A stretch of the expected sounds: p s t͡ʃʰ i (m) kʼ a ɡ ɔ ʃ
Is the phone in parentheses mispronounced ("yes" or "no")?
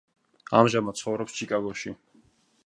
yes